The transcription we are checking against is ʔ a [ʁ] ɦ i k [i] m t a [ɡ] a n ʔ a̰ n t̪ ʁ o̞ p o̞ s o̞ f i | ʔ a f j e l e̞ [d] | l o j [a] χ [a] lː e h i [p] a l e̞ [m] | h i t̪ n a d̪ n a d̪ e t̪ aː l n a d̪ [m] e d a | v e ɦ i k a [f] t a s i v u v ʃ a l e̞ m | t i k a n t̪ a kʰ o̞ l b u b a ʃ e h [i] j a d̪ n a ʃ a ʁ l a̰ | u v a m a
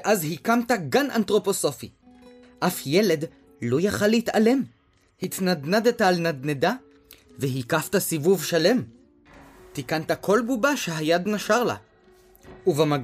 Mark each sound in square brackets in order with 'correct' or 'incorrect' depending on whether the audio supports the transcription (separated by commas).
incorrect, incorrect, correct, correct, correct, correct, incorrect, correct, incorrect, correct, incorrect